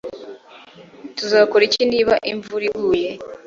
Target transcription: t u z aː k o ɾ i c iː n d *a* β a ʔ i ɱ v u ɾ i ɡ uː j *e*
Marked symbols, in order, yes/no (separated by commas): no, yes